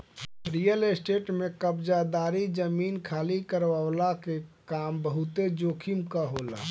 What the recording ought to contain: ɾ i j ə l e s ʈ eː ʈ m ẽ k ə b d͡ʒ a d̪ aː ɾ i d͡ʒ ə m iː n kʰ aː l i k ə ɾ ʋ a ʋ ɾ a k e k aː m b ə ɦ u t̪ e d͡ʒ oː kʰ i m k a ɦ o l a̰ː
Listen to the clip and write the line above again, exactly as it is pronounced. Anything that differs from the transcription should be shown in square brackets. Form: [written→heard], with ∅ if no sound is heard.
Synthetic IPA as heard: ɾ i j ə l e s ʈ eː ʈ m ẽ k ə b d͡ʒ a d̪ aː ɾ i d͡ʒ ə m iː n kʰ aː l i k ə ɾ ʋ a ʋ [ɾ→l] a k e k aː m b ə ɦ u t̪ e d͡ʒ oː kʰ i m k a ɦ o l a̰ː